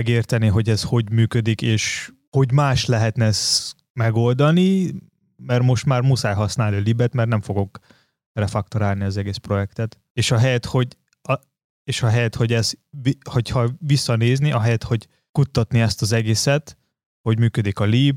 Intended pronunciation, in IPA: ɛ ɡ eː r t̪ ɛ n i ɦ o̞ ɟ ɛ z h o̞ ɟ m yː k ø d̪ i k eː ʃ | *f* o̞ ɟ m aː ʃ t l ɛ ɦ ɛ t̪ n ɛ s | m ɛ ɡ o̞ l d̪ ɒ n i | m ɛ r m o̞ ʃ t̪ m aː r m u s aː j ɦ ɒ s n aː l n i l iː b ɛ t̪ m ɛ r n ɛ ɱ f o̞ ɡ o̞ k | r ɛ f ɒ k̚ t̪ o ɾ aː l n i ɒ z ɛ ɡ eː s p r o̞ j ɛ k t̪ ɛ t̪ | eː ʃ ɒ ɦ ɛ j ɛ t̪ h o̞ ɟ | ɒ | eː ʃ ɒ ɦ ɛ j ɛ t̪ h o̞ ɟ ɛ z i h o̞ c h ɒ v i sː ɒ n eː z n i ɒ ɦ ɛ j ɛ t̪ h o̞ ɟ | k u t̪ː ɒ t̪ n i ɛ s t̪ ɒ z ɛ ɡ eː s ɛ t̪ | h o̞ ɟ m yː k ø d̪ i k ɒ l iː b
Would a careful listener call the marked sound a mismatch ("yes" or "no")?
yes